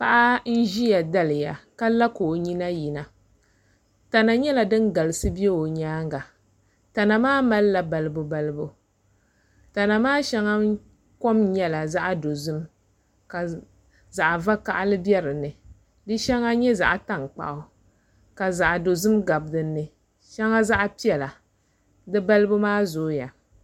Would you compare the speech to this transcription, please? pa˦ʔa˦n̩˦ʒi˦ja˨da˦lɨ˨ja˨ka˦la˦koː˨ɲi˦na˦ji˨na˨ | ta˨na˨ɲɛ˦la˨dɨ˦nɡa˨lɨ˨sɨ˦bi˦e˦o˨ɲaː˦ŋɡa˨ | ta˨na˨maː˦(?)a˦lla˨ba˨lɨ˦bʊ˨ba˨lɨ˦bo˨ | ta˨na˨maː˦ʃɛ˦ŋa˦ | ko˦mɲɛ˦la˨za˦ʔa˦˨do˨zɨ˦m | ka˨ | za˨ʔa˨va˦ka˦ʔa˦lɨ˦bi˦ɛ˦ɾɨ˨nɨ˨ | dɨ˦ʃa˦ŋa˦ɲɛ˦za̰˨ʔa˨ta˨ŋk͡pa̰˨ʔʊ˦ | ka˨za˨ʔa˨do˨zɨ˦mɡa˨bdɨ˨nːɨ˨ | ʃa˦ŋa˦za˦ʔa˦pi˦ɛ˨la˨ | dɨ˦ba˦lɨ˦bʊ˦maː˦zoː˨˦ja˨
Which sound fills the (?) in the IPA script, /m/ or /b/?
m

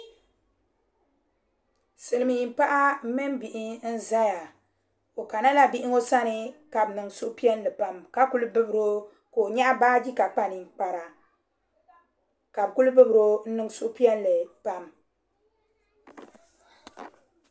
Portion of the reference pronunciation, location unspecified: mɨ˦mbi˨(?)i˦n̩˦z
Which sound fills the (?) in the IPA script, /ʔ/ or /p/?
ʔ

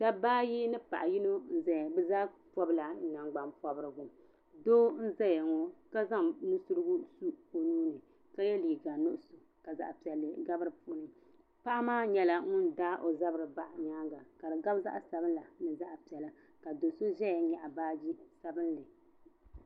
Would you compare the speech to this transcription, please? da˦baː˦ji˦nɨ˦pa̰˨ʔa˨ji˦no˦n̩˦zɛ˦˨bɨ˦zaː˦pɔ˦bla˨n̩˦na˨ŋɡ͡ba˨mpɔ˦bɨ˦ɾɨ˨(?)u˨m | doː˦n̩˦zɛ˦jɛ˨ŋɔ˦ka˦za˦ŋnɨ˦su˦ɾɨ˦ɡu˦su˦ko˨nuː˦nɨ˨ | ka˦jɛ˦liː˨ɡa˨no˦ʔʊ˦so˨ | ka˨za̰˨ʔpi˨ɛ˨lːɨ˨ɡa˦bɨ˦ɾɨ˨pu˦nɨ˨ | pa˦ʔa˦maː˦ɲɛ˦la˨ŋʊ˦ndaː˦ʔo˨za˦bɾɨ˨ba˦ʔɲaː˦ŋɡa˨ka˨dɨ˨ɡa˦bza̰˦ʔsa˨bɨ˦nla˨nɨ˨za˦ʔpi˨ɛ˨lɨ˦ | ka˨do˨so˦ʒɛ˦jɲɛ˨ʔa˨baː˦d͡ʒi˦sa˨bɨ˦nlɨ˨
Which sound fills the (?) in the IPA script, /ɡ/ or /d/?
ɡ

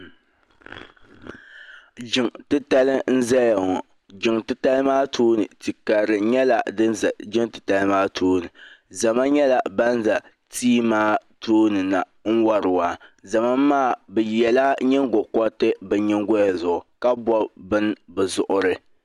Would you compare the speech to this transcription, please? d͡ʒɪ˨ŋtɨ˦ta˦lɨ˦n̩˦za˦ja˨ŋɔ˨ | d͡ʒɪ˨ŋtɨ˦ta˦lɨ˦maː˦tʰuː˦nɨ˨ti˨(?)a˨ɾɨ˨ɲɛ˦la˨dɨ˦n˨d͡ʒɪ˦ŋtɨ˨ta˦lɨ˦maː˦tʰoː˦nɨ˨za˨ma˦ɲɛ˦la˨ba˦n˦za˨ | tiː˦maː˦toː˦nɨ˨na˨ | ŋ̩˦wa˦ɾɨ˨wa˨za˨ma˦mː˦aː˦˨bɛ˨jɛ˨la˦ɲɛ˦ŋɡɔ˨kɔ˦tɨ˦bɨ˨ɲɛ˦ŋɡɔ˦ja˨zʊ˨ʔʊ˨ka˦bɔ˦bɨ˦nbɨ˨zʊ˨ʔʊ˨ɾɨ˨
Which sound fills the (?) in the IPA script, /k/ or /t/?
k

